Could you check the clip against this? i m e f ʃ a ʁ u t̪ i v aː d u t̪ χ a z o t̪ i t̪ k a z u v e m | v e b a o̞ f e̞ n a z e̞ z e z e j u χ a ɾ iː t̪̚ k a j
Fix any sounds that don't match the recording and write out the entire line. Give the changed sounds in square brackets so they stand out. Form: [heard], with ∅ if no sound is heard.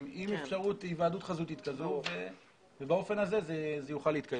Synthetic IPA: i m e f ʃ a ʁ u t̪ i v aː d u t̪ χ a z [u] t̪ i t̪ k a z u v e [∅] | v e b a o̞ f e̞ n a z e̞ z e z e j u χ a [l] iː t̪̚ k a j